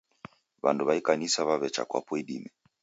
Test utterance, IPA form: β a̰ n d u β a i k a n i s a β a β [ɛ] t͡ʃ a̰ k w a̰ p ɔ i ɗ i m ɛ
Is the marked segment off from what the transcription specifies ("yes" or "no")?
no